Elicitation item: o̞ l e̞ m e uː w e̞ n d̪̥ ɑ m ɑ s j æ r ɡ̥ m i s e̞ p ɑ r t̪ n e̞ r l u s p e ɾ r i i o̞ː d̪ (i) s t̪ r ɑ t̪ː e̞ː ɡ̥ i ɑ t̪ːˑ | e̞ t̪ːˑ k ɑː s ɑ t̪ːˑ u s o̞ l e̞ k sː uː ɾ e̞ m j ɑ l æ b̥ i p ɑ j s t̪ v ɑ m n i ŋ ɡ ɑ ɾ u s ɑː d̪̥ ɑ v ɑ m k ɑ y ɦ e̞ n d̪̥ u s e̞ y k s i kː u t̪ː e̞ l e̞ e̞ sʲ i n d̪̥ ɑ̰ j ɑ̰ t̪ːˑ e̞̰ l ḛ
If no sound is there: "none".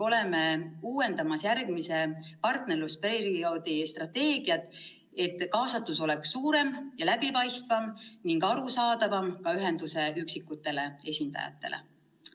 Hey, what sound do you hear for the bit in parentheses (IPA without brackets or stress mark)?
i